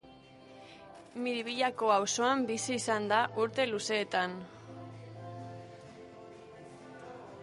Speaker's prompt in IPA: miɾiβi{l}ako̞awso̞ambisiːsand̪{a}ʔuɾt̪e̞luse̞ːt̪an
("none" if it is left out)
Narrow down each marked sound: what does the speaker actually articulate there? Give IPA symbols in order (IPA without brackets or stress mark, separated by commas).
ʎ, a